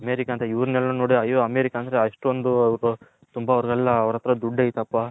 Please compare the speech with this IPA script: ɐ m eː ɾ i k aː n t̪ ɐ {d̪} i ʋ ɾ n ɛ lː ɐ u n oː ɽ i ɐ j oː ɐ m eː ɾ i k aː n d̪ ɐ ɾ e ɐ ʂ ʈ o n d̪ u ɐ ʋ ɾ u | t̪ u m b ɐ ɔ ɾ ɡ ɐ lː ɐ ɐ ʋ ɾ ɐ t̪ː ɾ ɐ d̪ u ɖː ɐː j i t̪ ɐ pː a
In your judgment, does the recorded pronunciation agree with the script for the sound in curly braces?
no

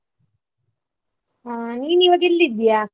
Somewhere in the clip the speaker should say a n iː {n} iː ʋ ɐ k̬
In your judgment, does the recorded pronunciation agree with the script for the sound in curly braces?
yes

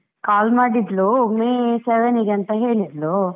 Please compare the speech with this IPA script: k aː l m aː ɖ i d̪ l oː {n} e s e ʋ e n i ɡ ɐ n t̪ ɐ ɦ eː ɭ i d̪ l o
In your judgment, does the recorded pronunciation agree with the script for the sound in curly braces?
no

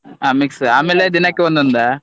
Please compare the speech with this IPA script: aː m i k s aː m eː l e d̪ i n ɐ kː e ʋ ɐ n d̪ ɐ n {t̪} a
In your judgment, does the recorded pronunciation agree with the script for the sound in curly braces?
no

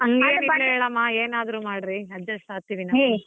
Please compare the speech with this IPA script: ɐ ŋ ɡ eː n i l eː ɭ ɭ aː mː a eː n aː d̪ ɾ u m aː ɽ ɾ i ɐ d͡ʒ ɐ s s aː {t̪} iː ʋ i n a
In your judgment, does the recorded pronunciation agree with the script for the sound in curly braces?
yes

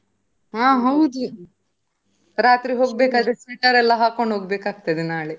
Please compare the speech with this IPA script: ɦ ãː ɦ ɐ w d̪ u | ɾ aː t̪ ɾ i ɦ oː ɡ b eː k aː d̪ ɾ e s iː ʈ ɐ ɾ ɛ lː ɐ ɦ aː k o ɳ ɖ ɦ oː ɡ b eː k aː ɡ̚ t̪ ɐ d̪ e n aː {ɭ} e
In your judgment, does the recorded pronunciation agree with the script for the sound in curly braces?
yes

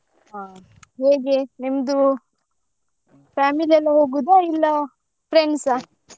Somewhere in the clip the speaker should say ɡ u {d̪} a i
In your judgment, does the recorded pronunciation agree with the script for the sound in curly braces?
yes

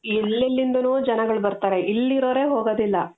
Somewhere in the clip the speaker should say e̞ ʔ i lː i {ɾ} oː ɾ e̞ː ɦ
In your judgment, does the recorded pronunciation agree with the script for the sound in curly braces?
yes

